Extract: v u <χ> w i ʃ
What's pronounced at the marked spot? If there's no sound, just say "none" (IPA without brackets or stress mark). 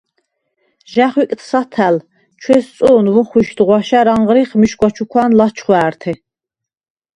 χ